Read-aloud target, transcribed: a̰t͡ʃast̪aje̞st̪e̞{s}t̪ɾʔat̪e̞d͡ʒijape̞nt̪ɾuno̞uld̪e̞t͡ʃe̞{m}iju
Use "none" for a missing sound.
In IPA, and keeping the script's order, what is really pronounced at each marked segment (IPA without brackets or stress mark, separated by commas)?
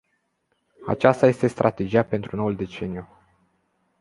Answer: s, n